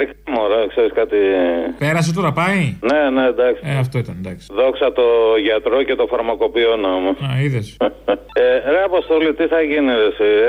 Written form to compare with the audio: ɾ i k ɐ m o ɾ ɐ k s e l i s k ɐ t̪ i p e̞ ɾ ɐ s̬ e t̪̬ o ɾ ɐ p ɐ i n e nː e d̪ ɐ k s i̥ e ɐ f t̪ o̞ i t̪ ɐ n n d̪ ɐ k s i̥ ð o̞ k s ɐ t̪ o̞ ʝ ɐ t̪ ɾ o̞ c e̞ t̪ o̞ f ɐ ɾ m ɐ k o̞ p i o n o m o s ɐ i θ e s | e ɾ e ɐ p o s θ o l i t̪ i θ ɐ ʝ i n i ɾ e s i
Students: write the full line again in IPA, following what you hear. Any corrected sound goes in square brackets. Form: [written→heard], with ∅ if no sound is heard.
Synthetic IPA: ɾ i k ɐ m o ɾ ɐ k s e [l→ɾ] i s k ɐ t̪ i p e̞ ɾ ɐ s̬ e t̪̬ o ɾ ɐ p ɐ i n e [nː→n] e d̪ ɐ k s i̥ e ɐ f t̪ o̞ i t̪ ɐ n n d̪ ɐ k s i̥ ð o̞ k s ɐ t̪ o̞ ʝ ɐ t̪ ɾ o̞ c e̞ t̪ o̞ f ɐ ɾ m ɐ k o̞ p i o n o m o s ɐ i [θ→ð] e s | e ɾ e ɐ p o s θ o l i t̪ i θ ɐ ʝ i n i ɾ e s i